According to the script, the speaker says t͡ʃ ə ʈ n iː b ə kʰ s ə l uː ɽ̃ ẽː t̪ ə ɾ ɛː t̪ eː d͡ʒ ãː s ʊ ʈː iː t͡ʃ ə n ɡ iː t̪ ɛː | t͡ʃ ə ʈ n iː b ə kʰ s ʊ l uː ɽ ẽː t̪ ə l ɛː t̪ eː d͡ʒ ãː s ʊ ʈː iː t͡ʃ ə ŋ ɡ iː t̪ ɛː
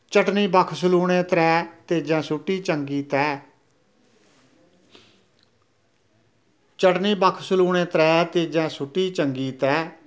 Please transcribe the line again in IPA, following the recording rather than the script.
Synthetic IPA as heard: t͡ʃ ə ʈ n iː b ə kʰ s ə l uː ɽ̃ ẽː t̪ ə ɾ ɛː t̪ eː d͡ʒ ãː s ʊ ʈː iː t͡ʃ ə ŋ ɡ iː t̪ ɛː | t͡ʃ ə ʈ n iː b ə kʰ s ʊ l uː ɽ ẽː t̪ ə ɾ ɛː t̪ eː d͡ʒ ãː s ʊ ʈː iː t͡ʃ ə ŋ ɡ iː t̪ ɛː